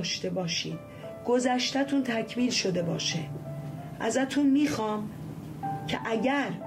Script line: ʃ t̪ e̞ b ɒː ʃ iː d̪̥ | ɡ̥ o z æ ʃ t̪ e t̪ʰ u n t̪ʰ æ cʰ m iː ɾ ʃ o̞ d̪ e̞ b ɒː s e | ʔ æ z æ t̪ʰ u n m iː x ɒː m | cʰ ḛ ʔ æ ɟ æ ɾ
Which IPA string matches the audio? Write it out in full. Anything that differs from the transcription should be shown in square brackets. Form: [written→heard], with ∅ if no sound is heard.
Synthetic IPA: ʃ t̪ e̞ b ɒː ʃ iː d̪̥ | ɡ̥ o z æ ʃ t̪ [e→æ] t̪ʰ u n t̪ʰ æ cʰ m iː [ɾ→l] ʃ o̞ d̪ e̞ b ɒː [s→ʃ] e | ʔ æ z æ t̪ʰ u n m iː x ɒː m | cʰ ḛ ʔ æ ɟ æ ɾ